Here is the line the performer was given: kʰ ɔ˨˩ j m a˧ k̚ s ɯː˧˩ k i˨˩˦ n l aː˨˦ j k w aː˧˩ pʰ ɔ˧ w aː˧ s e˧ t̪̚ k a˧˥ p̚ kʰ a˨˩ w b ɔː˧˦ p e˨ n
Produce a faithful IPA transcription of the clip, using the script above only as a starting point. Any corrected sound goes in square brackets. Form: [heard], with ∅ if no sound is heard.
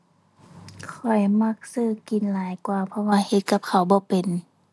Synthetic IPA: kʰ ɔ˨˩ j m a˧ k̚ s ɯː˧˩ k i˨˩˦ n l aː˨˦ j k w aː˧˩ pʰ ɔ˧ w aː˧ [h] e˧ t̪̚ k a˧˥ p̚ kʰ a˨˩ w b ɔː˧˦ p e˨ n